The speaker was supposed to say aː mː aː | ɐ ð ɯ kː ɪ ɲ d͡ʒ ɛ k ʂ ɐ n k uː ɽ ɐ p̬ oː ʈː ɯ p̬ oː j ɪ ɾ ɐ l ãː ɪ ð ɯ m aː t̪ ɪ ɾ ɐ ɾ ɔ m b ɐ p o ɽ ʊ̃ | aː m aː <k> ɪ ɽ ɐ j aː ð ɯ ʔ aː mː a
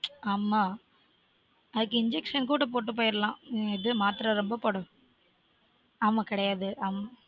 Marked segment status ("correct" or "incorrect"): correct